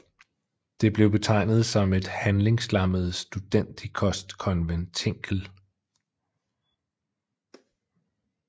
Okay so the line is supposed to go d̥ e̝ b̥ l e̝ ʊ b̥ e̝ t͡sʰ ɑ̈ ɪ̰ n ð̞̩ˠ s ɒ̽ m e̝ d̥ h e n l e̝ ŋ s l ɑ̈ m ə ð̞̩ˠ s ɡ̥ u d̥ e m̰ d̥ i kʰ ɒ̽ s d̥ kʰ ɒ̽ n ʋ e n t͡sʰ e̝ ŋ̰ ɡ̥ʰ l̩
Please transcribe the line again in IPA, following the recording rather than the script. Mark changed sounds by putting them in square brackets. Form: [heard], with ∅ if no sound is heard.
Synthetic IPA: d̥ e̝ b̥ l e̝ ʊ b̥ e̝ t͡sʰ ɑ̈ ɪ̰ n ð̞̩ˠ s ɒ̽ m e̝ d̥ h [æ] n l e̝ ŋ s l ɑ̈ m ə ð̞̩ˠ s [d̥] u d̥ e [n̰] d̥ i kʰ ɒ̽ s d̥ kʰ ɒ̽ n ʋ e n t͡sʰ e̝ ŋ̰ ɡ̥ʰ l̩